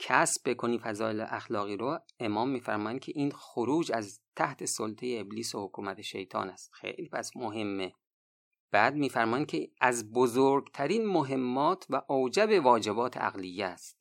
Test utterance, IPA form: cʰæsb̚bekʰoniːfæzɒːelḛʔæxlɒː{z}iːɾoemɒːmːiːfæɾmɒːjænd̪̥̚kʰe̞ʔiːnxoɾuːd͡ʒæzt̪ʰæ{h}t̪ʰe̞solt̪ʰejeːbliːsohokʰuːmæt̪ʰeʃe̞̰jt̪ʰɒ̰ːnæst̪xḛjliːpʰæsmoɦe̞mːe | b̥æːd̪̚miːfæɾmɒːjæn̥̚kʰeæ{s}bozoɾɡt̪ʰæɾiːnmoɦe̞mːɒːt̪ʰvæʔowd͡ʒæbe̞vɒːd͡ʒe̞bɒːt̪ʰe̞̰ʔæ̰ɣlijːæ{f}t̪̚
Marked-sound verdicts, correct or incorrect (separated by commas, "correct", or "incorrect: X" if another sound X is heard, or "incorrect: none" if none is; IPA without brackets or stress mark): incorrect: ɣ, correct, incorrect: z, incorrect: s